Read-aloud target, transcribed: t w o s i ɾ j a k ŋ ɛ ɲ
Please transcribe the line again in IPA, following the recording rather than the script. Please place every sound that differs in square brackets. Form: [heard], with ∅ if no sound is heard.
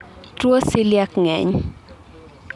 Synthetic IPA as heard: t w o s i [l] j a k ŋ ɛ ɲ